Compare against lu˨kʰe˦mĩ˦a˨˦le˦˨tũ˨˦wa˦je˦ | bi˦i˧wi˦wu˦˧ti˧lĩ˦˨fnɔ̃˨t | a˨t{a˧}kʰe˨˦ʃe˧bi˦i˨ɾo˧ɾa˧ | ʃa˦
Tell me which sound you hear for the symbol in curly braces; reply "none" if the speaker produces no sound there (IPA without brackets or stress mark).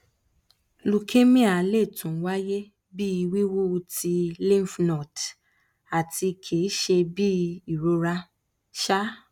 i˧